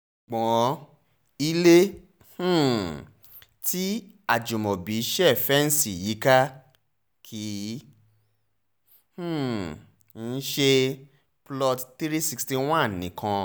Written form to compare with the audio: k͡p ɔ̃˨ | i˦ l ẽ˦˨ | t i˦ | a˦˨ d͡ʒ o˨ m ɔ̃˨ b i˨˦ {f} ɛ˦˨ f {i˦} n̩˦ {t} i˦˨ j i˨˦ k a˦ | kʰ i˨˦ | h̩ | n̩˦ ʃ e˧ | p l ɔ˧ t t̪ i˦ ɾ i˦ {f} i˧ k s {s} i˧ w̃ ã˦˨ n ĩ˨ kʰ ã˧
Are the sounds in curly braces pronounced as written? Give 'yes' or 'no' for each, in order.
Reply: no, no, no, no, no

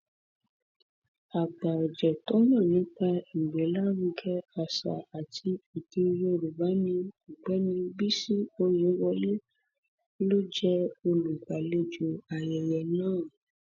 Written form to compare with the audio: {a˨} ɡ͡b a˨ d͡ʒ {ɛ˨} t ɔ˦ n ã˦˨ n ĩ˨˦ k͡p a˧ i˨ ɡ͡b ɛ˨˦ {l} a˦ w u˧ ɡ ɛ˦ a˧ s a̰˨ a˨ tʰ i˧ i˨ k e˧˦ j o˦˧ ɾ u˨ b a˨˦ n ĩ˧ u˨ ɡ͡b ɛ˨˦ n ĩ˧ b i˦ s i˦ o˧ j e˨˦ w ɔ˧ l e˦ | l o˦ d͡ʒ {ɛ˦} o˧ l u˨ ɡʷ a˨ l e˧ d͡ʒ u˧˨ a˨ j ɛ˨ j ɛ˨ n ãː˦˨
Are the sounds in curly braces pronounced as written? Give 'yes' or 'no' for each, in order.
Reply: yes, yes, yes, yes

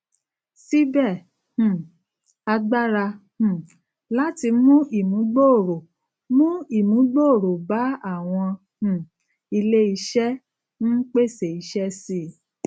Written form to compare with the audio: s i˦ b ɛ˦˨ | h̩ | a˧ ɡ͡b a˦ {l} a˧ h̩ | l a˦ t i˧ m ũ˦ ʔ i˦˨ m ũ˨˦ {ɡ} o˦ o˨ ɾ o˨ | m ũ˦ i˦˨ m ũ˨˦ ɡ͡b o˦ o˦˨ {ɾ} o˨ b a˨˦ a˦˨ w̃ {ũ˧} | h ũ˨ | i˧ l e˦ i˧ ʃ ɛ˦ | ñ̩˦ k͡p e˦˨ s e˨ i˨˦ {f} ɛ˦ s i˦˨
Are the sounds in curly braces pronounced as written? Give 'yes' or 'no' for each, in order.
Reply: no, no, yes, no, no

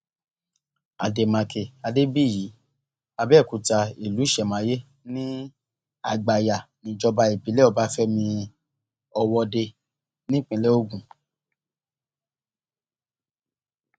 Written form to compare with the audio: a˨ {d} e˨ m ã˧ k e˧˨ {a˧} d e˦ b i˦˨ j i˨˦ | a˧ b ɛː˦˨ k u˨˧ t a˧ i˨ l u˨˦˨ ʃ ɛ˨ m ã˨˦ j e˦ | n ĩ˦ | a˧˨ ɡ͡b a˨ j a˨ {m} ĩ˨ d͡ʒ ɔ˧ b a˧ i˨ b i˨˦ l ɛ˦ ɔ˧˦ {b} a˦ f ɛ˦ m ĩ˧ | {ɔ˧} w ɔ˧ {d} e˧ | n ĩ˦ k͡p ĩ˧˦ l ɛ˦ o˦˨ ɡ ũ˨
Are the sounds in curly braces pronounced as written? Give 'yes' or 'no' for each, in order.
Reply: yes, yes, no, yes, yes, yes

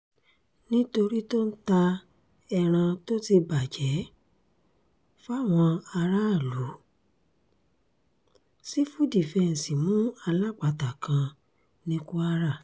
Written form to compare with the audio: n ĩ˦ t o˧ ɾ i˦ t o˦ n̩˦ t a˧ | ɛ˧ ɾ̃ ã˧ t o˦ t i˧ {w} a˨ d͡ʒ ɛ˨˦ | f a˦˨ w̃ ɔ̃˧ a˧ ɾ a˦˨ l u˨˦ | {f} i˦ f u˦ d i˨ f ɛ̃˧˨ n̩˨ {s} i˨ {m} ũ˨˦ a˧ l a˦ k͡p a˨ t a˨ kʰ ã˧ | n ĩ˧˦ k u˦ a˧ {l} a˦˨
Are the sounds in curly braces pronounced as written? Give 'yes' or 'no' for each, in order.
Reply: no, no, yes, yes, no

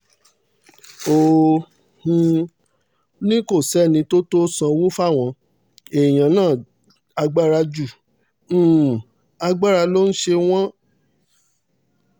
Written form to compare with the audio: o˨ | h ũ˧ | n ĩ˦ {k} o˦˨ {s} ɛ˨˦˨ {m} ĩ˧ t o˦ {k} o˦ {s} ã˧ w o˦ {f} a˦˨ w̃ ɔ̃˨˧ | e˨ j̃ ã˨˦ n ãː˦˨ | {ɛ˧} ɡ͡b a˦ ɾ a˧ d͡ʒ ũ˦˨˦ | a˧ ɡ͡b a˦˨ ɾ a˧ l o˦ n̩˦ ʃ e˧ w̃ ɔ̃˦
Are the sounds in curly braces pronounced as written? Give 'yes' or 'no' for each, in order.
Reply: yes, yes, no, no, yes, yes, no

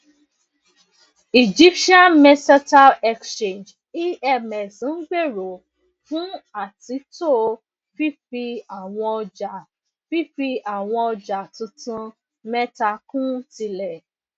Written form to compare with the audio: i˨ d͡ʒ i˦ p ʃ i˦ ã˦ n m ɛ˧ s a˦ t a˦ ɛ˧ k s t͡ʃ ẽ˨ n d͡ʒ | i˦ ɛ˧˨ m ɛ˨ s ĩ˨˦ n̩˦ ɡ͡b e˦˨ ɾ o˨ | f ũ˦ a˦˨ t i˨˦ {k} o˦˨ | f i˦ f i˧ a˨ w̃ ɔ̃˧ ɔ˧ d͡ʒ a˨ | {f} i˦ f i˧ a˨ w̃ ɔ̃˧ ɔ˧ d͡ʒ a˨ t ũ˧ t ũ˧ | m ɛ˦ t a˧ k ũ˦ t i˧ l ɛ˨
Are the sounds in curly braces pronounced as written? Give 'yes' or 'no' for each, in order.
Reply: no, yes

